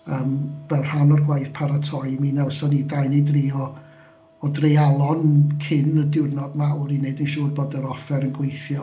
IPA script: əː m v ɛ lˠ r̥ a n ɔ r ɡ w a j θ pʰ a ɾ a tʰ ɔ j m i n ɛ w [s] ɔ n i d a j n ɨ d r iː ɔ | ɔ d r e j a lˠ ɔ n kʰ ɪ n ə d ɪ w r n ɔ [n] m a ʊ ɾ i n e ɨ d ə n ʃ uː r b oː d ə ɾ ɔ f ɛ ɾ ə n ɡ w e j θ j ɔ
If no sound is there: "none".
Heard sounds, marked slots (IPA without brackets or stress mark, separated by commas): s, d